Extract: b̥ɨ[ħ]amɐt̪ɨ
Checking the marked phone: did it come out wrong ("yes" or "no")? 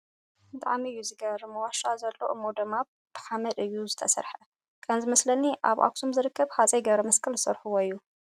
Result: no